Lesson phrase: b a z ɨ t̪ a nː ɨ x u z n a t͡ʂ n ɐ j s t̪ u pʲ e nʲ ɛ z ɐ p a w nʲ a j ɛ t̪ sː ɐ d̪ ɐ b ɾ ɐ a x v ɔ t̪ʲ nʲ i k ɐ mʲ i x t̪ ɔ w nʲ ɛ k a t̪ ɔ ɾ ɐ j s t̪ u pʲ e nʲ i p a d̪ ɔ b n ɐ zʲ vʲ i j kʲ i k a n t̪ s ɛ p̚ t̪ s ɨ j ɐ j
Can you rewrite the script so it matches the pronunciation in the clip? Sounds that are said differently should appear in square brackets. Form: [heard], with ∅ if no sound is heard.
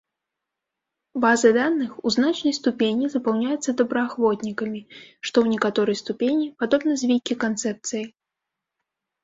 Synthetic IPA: b a z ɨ [d̪] a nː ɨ x u z n a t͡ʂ n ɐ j s t̪ u pʲ e nʲ [i] z ɐ p a w nʲ a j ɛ t̪ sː ɐ d̪ ɐ b ɾ ɐ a x v ɔ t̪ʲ nʲ i k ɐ mʲ i [ʂ] t̪ ɔ w nʲ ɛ k a t̪ ɔ ɾ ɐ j s t̪ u pʲ e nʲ i p a d̪ ɔ b n ɐ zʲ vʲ i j kʲ i k a n t̪ s ɛ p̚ t̪ s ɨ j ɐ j